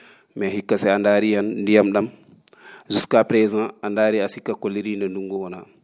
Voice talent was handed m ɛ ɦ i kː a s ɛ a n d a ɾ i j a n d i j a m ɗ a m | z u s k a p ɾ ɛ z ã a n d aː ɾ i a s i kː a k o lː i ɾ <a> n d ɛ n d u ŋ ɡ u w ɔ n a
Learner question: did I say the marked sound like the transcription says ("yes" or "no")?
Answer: no